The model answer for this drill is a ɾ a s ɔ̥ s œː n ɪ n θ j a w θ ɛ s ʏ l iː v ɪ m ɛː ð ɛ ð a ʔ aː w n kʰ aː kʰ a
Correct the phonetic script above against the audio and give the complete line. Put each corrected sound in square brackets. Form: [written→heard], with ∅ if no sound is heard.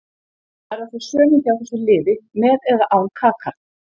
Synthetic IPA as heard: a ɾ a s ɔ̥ s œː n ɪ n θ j a w θ ɛ s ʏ l [iː→ɪː] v ɪ m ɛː ð ɛ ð a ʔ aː w n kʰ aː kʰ a